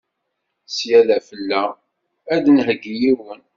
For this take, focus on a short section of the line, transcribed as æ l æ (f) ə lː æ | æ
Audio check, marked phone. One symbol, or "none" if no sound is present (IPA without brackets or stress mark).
f